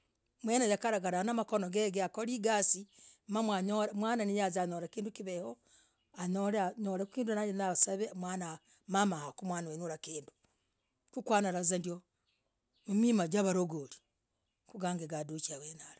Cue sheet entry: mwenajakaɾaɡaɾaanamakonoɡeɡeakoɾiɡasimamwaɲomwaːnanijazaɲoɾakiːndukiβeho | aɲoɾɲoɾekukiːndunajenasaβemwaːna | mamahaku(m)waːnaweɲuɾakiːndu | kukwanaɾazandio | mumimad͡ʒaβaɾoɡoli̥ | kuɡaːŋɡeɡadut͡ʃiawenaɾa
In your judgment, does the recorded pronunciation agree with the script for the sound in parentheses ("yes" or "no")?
yes